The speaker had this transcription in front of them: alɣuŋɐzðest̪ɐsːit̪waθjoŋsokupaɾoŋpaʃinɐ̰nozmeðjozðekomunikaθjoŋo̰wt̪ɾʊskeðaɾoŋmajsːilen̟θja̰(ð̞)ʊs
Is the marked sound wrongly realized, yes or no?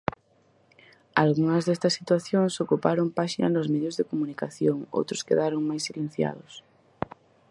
no